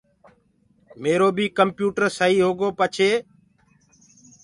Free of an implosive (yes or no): yes